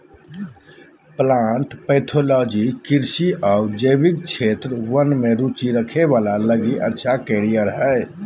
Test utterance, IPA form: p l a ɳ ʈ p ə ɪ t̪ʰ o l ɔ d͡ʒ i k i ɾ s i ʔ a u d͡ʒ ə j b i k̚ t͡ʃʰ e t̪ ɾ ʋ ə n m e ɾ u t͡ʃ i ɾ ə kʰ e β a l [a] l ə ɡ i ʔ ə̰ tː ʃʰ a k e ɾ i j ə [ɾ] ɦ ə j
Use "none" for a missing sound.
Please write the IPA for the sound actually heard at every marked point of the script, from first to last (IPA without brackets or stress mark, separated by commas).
a, ɾ